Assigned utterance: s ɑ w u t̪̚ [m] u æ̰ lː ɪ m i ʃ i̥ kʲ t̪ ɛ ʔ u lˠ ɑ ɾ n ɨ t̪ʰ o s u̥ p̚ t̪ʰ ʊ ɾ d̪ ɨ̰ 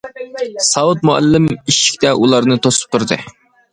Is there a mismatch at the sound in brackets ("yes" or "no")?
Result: no